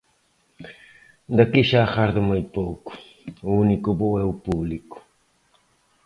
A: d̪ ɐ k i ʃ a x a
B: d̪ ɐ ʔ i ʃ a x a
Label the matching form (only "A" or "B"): A